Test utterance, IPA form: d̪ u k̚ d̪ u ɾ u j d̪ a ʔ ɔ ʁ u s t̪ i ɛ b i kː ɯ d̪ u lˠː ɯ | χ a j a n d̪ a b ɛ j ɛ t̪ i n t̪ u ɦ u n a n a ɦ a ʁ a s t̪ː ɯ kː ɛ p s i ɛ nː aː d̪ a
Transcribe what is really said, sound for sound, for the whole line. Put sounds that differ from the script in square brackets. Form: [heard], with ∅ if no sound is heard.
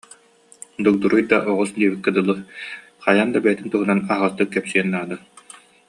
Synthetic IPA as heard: d̪ u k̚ d̪ u ɾ u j d̪ a ʔ ɔ ʁ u s [d̪] i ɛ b i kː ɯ d̪ [ɯ] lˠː ɯ | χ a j a n d̪ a b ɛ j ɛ t̪ i n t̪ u ɦ u n a n a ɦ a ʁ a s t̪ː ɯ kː ɛ p s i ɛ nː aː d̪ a